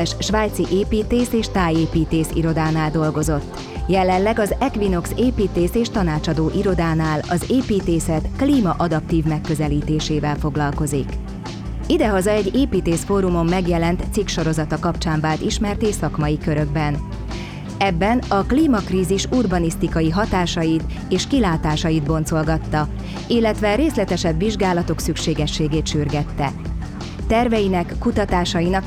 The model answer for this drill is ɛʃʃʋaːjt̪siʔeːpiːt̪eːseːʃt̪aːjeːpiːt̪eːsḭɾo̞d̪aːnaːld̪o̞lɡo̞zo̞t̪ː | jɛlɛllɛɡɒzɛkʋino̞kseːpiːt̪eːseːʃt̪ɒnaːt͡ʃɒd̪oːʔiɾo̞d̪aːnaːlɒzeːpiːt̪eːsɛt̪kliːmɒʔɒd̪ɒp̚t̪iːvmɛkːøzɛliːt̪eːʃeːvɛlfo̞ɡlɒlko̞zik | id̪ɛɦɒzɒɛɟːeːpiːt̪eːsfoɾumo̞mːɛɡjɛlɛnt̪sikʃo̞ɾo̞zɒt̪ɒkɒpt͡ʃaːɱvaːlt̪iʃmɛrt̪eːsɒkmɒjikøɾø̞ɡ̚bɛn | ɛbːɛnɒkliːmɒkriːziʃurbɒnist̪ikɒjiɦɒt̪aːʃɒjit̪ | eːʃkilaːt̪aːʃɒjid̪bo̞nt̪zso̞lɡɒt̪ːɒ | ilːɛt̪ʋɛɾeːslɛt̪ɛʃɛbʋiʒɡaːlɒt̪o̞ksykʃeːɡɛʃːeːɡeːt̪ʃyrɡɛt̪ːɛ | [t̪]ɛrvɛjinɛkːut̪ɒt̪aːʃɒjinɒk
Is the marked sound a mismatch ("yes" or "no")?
no